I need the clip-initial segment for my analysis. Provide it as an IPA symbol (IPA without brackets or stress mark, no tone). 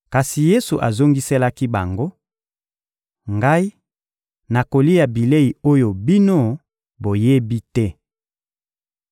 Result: k